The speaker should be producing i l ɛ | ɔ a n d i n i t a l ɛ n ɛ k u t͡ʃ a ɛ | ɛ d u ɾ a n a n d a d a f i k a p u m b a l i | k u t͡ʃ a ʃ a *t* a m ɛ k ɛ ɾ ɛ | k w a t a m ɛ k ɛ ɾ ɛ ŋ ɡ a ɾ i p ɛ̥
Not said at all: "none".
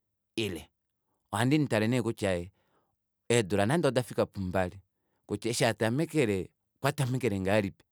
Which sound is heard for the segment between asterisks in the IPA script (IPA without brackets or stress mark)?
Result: t